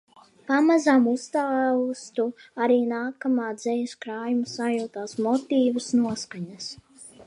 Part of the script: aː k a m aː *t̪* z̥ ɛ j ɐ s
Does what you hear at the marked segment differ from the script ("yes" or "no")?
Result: yes